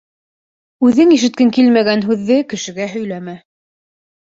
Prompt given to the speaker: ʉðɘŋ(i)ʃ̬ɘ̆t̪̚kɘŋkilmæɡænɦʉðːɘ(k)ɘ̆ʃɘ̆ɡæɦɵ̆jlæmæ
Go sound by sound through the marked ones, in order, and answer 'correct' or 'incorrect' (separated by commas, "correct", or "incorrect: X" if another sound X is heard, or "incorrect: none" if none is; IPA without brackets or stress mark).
correct, correct